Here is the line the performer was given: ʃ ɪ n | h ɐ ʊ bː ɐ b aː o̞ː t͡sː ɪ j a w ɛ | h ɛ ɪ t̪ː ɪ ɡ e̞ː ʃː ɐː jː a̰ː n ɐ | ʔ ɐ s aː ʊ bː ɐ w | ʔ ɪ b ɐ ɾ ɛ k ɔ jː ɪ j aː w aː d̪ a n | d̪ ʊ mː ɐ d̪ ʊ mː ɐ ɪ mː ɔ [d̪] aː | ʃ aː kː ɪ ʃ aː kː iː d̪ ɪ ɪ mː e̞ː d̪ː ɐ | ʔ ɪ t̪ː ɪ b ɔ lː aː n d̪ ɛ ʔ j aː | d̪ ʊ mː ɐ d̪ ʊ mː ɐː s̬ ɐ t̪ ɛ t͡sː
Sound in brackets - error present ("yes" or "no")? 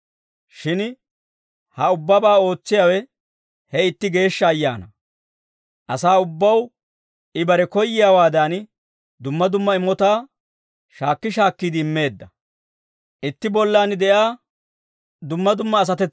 yes